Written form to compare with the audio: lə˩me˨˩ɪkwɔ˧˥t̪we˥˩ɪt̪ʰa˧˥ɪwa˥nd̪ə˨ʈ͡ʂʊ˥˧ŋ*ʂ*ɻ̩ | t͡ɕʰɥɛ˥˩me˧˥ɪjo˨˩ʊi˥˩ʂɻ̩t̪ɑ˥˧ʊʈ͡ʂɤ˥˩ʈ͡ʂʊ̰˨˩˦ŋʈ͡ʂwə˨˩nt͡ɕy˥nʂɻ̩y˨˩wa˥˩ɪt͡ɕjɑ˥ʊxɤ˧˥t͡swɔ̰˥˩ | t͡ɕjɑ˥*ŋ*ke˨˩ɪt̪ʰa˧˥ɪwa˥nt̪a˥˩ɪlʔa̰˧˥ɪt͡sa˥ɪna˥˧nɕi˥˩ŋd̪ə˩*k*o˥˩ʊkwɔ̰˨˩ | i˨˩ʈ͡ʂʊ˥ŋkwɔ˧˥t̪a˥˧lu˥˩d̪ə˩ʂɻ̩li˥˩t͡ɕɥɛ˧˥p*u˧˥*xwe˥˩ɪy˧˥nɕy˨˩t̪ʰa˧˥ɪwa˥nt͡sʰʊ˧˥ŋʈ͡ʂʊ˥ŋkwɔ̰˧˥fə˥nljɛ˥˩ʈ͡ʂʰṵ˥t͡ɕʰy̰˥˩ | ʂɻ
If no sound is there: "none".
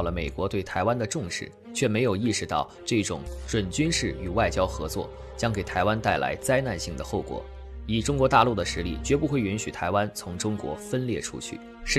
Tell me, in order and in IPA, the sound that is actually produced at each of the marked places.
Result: ʂ, ŋ, x, u˥˧

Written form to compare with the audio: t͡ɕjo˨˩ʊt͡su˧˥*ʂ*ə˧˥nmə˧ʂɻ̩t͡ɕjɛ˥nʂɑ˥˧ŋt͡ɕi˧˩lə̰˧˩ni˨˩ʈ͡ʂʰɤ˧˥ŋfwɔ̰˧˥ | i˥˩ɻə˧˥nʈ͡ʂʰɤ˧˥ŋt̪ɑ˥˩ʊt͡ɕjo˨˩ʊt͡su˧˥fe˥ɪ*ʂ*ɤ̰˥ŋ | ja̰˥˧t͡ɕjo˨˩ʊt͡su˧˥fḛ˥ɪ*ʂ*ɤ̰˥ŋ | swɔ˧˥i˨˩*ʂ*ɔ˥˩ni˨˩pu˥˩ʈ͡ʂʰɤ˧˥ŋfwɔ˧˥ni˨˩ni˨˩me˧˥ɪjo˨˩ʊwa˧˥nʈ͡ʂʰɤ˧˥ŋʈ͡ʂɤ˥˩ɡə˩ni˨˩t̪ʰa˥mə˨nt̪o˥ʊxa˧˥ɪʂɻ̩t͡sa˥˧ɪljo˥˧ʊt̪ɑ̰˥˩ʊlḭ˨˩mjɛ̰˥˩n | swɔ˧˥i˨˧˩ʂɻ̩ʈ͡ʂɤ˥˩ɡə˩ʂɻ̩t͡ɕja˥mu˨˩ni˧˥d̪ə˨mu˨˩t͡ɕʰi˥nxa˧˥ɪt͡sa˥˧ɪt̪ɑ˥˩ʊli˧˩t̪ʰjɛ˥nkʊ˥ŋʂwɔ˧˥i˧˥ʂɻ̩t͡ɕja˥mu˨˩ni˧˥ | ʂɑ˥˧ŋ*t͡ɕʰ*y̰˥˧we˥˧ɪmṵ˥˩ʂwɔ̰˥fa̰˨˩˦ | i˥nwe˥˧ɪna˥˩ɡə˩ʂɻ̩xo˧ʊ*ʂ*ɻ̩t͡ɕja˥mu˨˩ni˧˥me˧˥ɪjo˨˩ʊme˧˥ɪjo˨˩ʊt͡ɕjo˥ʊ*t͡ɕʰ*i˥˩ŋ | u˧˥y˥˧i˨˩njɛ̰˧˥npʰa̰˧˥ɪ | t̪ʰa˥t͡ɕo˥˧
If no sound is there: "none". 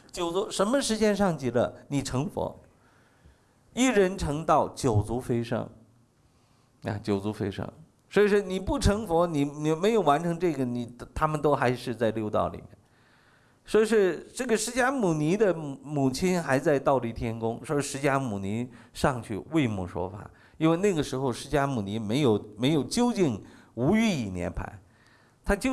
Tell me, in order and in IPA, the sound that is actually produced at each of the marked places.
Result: ʂ, ʂ, ʂ, ʂ, t͡ɕʰ, ʂ, t͡ɕ

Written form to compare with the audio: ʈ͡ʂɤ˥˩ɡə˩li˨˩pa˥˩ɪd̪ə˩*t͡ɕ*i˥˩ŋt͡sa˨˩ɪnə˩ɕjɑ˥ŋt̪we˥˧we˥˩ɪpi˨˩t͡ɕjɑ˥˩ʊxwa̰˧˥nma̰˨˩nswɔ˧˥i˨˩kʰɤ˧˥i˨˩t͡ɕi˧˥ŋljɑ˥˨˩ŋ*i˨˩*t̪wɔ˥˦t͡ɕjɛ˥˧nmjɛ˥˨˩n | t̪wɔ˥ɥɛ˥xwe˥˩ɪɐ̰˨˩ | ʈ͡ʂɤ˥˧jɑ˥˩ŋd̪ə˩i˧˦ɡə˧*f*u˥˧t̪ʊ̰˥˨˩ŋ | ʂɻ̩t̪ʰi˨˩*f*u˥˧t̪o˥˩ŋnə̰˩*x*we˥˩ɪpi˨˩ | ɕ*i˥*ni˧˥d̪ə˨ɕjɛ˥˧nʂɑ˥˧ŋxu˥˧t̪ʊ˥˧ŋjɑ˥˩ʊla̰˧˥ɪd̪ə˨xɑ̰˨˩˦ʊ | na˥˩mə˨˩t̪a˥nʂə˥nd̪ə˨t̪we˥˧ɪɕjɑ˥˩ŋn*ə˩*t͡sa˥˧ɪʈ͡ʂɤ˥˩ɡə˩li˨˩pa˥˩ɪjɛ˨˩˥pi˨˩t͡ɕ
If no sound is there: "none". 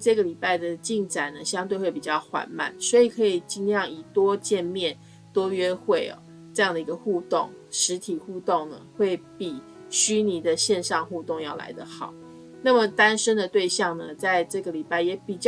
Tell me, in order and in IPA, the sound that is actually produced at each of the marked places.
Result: t͡ɕ, i˨˩, x, x, x, y˥, ə˩

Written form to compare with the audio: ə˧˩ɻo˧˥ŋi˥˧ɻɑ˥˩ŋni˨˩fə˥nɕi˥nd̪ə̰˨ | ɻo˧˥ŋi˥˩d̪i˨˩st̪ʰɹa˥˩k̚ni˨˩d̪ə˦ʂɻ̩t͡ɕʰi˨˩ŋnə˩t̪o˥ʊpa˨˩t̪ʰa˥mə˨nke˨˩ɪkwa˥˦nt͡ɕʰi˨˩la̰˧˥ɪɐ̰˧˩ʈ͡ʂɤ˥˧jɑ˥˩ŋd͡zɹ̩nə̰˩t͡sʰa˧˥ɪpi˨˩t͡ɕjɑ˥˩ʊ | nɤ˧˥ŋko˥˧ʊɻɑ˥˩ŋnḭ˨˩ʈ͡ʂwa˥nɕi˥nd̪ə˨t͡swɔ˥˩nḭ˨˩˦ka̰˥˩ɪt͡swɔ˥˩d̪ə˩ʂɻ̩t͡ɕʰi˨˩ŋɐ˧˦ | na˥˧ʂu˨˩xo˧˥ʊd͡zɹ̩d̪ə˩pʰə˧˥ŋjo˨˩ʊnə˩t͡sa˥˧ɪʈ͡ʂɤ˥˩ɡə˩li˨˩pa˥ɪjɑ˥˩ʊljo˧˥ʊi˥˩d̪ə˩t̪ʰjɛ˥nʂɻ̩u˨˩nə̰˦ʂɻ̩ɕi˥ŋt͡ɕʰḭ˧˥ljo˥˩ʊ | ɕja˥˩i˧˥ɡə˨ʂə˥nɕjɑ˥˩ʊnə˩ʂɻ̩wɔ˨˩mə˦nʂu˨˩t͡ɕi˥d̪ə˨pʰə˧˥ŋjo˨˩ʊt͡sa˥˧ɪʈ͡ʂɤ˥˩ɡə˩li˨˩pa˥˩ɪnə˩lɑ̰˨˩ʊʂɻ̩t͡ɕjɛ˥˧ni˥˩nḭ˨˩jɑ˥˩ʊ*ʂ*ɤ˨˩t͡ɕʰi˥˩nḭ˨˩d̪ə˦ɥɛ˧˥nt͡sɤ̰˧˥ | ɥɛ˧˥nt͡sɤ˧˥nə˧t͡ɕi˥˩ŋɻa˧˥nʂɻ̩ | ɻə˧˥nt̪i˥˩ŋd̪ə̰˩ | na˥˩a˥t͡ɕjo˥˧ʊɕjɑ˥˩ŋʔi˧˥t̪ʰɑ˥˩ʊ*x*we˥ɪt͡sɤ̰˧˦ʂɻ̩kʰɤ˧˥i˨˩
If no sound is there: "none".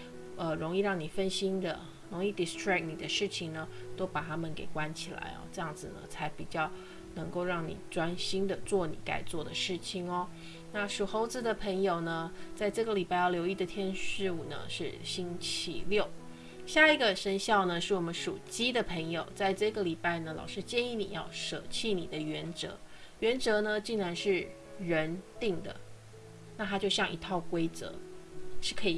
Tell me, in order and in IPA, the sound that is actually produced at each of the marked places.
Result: ʂ, k

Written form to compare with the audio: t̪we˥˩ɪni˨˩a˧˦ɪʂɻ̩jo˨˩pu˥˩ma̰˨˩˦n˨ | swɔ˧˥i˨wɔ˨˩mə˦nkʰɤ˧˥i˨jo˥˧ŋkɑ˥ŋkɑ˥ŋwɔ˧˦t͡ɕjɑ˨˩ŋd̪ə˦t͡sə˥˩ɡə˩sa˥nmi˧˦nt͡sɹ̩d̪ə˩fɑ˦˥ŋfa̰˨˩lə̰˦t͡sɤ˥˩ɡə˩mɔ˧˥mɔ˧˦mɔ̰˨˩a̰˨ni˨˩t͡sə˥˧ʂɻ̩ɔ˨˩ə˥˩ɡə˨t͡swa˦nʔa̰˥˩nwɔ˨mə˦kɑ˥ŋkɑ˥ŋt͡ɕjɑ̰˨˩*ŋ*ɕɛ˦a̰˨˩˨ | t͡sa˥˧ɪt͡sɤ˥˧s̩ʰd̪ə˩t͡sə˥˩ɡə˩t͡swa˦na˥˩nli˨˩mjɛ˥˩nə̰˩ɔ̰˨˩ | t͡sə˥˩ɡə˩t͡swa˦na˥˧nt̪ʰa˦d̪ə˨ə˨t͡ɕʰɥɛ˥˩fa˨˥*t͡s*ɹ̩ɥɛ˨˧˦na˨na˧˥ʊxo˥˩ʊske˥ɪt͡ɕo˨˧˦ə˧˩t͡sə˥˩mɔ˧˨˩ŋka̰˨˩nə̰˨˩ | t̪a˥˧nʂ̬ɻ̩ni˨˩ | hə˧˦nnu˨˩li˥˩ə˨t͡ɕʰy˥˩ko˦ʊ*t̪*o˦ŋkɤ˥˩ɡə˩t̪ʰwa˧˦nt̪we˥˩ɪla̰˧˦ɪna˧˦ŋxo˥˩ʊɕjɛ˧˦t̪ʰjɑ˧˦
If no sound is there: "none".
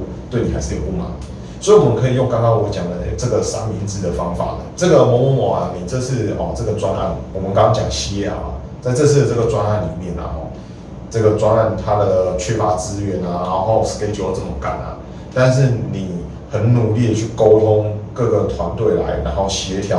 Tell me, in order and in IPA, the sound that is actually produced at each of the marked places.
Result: ŋ, t͡s, t̪ʰ

